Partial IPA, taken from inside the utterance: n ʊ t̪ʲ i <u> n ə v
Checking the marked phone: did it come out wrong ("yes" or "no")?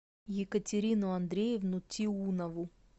no